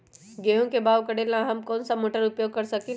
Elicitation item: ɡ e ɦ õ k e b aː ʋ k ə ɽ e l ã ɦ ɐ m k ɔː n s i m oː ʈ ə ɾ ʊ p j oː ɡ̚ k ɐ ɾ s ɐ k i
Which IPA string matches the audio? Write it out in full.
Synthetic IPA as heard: ɡ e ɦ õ k e b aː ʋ k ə ɽ e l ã ɦ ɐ m k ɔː n s a m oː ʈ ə ɾ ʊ p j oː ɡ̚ k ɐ ɾ s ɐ k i